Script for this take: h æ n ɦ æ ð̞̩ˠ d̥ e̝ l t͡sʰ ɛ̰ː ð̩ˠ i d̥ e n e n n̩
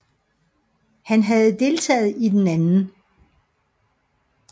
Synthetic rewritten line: h æ n ɦ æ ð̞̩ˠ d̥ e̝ l t͡sʰ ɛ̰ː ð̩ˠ i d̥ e n æ n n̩